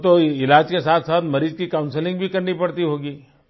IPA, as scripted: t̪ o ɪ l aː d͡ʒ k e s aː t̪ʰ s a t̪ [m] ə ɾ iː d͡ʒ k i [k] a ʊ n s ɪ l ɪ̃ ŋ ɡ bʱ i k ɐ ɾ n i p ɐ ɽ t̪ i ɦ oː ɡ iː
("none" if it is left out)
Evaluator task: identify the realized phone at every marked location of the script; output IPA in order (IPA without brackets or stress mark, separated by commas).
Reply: m, k